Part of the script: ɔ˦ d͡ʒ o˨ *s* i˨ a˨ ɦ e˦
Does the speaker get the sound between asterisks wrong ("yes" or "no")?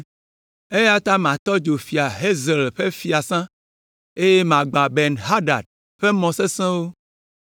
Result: yes